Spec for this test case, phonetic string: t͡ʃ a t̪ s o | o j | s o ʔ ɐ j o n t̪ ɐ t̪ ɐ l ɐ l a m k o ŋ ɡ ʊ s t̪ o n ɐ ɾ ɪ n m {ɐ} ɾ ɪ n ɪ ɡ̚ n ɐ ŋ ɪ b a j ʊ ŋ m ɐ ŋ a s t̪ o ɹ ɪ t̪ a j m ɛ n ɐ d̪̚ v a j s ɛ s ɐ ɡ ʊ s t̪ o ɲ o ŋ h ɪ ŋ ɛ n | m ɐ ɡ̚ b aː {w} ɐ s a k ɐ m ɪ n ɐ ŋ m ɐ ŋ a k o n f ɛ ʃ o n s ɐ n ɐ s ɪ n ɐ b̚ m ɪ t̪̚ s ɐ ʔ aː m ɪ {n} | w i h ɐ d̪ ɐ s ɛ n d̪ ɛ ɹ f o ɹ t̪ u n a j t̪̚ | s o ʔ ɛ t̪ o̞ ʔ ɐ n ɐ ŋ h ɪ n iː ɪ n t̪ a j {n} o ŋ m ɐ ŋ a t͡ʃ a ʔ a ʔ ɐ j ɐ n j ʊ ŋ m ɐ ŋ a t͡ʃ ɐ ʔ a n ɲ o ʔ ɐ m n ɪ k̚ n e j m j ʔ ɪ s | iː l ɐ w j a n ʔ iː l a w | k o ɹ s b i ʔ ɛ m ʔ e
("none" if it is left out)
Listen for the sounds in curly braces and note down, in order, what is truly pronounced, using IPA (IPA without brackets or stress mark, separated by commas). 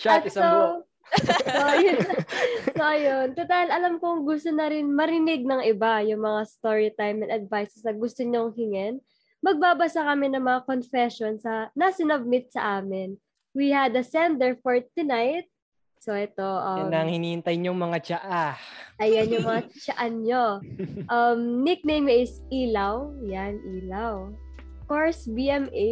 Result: ɐ, b, n, ɲ